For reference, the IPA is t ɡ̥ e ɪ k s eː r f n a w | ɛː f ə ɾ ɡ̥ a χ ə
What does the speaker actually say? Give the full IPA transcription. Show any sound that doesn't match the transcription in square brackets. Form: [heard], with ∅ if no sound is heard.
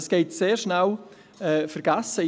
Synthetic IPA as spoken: [s] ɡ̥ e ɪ [t] s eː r [ʃ] n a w | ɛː f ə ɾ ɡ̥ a [s] ə